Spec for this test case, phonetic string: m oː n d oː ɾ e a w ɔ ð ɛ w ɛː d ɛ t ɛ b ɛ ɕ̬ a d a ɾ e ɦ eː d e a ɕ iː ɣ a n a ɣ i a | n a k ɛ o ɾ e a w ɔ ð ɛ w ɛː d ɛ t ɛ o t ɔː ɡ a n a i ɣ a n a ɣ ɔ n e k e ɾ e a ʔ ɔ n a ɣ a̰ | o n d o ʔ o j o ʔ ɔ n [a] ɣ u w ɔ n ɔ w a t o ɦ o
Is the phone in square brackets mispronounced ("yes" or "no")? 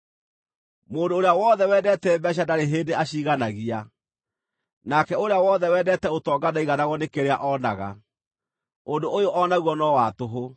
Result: no